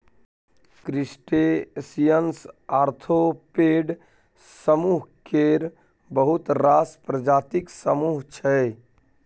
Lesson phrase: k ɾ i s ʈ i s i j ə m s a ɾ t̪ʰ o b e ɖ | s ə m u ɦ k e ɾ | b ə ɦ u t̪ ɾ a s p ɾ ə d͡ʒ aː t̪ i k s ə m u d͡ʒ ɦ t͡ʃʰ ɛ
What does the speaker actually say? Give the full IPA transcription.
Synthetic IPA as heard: k ɾ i s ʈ e s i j ə n s a ɾ t̪ʰ o p e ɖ | s ə m u ɦ k e ɾ | b ə ɦ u t̪ ɾ a s p ɾ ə d͡ʒ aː t̪ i k s ə m u ɦ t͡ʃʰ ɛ